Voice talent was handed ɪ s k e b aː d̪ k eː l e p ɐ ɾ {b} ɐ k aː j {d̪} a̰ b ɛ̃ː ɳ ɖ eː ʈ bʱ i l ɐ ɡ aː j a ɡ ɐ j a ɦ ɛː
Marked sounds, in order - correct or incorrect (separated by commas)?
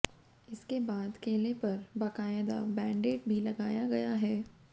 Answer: correct, correct